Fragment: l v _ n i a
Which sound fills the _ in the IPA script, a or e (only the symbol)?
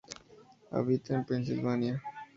a